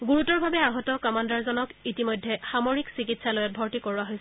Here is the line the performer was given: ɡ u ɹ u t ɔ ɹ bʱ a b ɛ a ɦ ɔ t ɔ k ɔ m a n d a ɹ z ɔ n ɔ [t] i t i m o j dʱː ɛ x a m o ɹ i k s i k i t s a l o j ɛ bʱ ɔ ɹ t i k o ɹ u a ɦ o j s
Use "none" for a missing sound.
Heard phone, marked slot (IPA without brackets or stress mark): k